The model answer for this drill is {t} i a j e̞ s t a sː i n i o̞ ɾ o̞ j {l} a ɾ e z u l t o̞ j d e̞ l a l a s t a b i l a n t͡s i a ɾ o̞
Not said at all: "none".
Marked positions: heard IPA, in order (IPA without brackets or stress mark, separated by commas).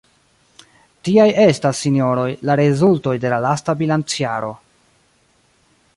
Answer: t, l